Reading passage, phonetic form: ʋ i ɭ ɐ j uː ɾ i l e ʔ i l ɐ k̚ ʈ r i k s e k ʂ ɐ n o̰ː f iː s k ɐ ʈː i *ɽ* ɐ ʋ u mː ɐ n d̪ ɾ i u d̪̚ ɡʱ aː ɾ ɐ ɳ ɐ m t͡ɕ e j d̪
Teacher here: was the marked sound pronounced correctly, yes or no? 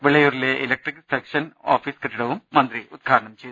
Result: yes